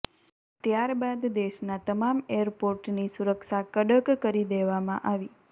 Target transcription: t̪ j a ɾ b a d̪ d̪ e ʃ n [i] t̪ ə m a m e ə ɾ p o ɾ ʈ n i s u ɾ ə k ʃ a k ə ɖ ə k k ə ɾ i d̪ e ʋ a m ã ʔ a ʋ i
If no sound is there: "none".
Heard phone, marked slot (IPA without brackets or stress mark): a